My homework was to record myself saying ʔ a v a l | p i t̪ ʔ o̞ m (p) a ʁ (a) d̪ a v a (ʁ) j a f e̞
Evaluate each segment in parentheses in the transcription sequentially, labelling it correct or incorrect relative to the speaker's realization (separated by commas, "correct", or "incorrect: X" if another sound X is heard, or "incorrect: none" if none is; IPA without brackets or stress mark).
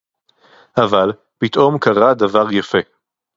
incorrect: k, correct, correct